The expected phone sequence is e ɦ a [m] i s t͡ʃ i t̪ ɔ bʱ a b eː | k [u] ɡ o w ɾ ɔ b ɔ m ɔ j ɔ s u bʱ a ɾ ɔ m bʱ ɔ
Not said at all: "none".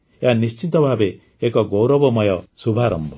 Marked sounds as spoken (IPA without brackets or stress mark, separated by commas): n, ɔ